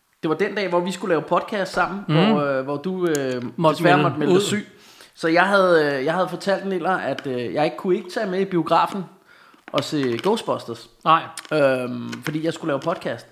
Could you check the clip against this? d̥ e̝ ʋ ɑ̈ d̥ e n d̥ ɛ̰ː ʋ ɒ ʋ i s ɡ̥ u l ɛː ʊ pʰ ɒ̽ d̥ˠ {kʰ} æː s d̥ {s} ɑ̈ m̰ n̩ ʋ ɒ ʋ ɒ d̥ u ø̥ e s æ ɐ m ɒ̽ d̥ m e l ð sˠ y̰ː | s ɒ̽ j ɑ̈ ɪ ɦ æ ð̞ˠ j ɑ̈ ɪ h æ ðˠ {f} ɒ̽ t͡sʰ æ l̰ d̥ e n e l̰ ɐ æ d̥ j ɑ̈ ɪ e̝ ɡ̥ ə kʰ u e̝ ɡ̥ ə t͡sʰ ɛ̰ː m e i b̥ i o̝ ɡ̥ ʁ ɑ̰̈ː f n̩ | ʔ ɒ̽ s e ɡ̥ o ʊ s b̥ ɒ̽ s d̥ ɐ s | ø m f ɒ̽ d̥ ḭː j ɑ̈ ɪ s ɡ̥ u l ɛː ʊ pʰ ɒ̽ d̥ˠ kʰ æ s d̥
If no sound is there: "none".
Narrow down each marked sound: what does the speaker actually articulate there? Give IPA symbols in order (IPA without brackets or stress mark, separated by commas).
kʰ, s, f